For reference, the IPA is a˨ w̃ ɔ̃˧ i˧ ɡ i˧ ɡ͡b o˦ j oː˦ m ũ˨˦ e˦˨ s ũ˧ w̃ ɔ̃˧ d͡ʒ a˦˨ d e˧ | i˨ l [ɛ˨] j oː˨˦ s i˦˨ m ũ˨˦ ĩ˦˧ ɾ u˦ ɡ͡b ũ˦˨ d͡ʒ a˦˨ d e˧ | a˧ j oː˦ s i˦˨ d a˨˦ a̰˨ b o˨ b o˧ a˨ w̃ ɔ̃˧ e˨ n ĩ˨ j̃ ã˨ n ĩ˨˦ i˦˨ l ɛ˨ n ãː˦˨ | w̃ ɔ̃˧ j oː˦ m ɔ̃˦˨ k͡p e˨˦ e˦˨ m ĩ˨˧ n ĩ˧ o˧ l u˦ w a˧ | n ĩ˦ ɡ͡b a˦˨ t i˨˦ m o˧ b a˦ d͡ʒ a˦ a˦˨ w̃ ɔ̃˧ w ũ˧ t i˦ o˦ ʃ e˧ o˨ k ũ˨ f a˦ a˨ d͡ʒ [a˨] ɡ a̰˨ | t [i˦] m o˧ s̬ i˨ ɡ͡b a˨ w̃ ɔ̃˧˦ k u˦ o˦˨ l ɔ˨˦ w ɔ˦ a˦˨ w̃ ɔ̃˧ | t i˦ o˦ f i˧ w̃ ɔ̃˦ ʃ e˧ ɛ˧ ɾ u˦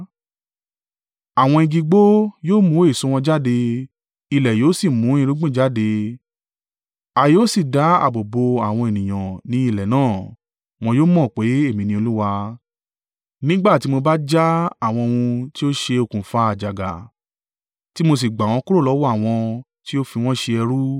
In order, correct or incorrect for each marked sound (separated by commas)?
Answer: correct, correct, correct